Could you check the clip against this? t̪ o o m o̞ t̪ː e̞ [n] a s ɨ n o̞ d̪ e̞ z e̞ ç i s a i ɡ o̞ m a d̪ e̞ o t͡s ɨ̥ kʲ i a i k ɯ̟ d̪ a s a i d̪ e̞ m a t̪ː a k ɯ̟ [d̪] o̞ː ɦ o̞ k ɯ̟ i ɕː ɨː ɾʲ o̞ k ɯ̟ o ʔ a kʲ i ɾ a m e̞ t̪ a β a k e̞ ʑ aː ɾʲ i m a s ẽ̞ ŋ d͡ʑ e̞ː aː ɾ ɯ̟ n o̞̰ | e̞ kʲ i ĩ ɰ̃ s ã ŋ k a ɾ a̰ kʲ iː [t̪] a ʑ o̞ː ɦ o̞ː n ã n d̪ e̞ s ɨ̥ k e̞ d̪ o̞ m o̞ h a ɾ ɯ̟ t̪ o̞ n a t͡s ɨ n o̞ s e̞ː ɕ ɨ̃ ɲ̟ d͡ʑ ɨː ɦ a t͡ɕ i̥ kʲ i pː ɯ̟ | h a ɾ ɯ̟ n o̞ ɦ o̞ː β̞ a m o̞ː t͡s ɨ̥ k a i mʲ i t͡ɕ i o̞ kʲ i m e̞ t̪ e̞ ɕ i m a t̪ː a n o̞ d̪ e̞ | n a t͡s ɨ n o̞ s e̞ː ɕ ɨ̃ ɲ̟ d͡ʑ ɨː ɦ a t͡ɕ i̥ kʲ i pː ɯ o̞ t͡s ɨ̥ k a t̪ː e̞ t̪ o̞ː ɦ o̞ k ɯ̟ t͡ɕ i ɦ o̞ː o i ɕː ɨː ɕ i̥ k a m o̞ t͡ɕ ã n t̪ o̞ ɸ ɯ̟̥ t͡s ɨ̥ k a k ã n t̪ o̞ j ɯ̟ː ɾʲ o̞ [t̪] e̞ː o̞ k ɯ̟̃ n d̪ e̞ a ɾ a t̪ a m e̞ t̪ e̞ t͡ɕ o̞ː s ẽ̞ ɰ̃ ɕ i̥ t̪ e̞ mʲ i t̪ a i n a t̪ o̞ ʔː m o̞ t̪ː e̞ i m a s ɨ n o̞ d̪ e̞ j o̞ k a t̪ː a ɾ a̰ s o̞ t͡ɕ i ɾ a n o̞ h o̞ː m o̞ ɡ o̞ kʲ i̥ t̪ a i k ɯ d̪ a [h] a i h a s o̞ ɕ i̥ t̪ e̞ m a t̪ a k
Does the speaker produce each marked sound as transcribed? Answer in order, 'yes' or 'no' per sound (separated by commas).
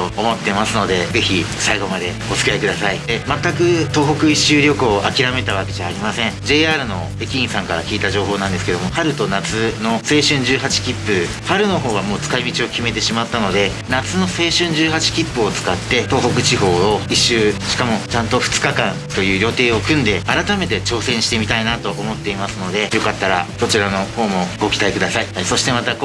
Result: no, no, yes, yes, no